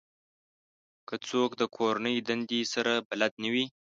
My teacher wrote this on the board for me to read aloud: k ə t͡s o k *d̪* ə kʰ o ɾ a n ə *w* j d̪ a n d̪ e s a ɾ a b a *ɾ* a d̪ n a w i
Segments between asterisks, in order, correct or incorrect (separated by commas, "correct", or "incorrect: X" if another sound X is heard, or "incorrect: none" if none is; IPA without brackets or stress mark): correct, incorrect: none, incorrect: l